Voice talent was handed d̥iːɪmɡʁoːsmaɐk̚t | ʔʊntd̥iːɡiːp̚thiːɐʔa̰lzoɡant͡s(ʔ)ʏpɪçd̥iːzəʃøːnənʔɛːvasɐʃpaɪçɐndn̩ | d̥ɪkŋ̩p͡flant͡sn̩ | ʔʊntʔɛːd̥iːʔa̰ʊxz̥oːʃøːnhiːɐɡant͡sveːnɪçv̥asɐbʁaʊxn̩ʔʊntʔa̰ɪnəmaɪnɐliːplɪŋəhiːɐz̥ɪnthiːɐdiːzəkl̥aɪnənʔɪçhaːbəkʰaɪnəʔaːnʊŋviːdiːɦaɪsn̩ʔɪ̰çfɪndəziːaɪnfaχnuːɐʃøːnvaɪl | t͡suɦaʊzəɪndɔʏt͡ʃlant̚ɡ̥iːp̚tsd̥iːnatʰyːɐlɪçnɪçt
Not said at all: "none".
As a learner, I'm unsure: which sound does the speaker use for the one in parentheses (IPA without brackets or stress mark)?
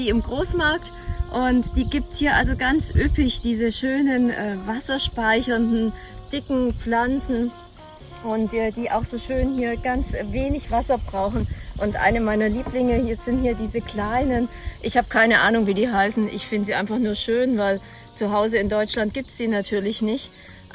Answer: ʔ